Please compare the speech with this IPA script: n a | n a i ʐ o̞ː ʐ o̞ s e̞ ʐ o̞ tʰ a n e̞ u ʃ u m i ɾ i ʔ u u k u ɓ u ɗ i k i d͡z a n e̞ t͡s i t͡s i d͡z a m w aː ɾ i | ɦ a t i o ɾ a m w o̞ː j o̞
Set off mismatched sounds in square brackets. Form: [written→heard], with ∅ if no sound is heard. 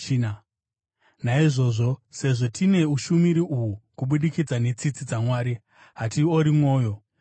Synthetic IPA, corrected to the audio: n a | n a i ʐ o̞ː ʐ o̞ s e̞ ʐ o̞ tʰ [a→i] n e̞ u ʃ u m i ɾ i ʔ u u k u ɓ u ɗ i k i d͡z a n e̞ t͡s i t͡s i d͡z a m w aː ɾ i | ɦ a t i o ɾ [a→i] m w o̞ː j o̞